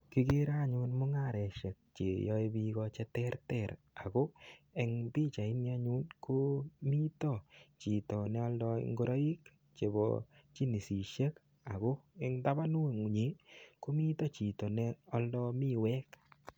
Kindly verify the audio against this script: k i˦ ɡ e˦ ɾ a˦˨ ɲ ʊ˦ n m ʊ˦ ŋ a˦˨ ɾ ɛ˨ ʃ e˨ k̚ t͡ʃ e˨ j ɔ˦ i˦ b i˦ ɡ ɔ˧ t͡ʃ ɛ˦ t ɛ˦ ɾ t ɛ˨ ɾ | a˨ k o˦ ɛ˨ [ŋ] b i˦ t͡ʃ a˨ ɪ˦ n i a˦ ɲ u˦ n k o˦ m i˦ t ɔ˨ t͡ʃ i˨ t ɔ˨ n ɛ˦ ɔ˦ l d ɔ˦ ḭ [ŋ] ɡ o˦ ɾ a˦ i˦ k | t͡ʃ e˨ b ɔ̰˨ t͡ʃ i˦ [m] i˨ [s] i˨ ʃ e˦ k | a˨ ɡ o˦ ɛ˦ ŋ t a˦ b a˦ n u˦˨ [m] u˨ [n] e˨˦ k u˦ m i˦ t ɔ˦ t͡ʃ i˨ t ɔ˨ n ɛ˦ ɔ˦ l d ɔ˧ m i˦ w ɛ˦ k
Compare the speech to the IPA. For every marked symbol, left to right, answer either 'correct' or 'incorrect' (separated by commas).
correct, correct, incorrect, correct, incorrect, incorrect